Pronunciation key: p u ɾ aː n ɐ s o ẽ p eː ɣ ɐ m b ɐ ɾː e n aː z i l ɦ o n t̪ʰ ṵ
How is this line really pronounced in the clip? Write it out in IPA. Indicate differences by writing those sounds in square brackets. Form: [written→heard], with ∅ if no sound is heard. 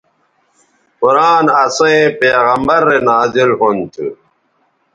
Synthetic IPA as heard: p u ɾ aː n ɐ s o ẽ p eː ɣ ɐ m b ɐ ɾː e n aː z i l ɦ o n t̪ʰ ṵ

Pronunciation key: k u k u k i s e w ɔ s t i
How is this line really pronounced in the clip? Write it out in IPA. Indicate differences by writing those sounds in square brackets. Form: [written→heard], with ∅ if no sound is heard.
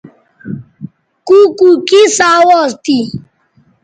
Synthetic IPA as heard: k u k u k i s [e→a] w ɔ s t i

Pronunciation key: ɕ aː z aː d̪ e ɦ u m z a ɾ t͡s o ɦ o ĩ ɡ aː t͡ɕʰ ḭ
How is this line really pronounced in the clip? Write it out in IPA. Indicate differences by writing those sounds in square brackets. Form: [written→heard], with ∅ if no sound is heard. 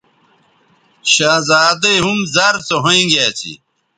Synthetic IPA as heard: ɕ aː z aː d̪ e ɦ u m z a ɾ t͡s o ɦ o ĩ ɡ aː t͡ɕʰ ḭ

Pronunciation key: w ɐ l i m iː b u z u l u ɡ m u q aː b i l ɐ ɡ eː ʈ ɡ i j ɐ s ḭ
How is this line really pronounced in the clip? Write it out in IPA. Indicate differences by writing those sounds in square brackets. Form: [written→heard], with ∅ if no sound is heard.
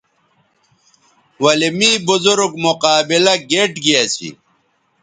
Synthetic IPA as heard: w ɐ l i m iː b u z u [l→ɾ] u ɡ m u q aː b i l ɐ ɡ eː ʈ ɡ i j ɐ s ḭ

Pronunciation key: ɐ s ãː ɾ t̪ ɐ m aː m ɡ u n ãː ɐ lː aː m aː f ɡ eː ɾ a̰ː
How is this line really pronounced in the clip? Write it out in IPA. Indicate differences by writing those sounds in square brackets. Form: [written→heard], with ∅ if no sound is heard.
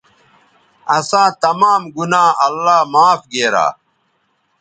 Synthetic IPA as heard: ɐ s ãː [ɾ→∅] t̪ ɐ m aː m ɡ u n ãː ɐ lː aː m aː f ɡ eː ɾ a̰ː

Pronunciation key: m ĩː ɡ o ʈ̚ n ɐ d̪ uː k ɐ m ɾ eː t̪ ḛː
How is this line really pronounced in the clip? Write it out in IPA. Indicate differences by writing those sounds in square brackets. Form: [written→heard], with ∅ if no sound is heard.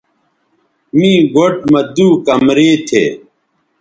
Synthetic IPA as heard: m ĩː ɡ o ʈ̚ [n→m] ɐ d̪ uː k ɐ m ɾ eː [t̪→t̪ʰ] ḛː

